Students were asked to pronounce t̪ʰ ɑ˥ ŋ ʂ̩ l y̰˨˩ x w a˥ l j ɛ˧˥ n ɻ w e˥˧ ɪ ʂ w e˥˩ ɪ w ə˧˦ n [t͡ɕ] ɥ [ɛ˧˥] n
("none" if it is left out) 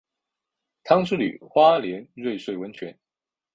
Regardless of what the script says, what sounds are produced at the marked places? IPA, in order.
t͡ɕʰ, ɛ˧˥

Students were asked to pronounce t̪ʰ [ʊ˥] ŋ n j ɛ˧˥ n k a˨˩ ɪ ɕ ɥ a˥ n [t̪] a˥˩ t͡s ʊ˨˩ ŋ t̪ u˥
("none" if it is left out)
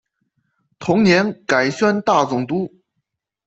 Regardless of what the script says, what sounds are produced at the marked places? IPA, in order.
ʊ˧˥, t̪

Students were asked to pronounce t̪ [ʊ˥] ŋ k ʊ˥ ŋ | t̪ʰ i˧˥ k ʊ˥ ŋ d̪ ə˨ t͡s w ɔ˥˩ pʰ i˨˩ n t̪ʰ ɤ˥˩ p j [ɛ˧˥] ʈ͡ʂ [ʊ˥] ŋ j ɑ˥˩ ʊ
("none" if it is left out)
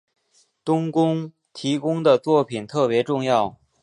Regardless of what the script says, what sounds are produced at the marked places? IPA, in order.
ʊ˥, ɛ˧˥, ʊ˥˧

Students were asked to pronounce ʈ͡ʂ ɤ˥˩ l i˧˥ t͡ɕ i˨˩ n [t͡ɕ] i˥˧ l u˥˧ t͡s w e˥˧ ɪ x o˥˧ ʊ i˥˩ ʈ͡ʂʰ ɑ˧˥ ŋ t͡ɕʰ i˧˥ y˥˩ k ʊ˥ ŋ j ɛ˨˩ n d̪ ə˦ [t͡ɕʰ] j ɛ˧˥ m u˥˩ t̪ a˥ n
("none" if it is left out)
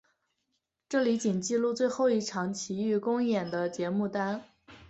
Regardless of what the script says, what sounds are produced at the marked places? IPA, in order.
t͡ɕ, t͡ɕ

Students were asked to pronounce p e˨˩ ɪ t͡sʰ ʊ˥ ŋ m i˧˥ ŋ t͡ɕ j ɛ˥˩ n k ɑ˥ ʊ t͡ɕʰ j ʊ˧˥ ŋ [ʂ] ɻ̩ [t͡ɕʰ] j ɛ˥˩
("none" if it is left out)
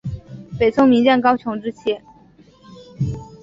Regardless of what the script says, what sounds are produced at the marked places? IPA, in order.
ʈ͡ʂ, t͡ɕʰ

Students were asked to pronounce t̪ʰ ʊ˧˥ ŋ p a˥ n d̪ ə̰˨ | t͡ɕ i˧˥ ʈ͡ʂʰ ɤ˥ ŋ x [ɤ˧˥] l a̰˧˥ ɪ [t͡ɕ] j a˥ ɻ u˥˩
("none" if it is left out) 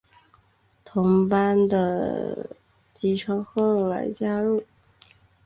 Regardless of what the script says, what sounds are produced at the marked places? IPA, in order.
ɤ˥˩, t͡ɕ

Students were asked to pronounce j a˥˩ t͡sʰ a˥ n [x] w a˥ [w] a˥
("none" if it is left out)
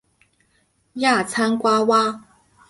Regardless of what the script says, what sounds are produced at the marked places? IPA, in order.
k, w

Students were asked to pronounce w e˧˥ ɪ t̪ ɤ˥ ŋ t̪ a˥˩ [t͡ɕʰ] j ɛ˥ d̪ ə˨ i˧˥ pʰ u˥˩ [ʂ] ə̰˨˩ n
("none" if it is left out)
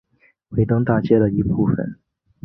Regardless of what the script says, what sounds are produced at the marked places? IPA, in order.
t͡ɕ, f

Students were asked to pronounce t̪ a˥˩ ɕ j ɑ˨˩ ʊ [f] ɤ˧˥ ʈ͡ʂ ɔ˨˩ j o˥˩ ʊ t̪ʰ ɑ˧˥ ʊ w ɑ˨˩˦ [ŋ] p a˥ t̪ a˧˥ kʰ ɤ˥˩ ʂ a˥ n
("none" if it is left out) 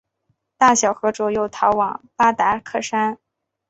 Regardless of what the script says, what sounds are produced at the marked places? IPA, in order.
x, ŋ

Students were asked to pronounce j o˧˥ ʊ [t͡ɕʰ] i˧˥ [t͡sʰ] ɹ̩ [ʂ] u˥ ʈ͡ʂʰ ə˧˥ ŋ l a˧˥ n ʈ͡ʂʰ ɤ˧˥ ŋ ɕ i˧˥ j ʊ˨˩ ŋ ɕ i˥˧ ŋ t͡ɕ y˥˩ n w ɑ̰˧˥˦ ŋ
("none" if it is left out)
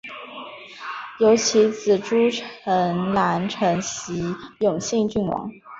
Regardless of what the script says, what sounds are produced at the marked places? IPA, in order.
t͡ɕʰ, t͡s, ʈ͡ʂ

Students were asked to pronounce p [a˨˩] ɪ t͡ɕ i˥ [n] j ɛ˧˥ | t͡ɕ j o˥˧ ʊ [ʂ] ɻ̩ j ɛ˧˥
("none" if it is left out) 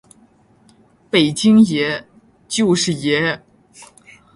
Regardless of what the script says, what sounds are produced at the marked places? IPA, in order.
e˨˩, ŋ, ʂ

